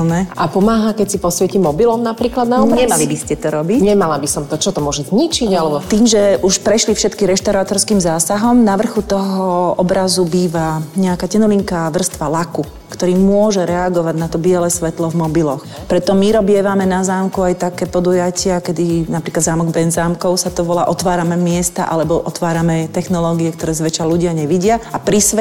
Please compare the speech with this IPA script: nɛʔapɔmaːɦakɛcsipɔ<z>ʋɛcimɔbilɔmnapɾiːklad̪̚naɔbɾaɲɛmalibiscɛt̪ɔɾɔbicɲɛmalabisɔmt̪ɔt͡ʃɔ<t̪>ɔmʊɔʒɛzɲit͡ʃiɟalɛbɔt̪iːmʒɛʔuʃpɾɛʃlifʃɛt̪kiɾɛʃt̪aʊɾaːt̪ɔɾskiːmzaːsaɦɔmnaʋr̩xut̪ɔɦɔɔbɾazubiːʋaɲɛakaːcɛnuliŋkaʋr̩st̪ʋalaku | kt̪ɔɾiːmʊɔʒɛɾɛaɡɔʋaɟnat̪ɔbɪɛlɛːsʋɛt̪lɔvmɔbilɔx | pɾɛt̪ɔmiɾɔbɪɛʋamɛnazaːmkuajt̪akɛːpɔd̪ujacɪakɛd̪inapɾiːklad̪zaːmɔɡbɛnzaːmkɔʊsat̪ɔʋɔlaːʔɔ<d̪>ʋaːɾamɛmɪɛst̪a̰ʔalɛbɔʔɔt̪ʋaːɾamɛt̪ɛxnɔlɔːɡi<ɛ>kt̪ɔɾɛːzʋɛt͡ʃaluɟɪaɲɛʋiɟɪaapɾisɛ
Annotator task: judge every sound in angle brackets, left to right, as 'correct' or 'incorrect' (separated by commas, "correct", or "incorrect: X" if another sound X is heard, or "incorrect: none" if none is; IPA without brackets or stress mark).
incorrect: s, correct, incorrect: t̪, correct